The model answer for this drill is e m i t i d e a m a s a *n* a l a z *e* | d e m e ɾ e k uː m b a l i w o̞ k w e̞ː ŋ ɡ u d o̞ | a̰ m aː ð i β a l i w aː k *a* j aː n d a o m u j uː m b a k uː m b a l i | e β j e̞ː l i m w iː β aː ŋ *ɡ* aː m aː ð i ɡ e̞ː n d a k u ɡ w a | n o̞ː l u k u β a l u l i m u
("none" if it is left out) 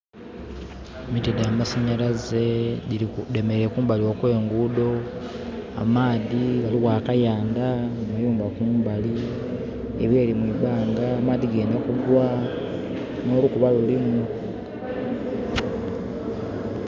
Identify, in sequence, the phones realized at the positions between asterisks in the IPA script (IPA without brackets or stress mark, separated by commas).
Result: ɲ, e, a, ɡ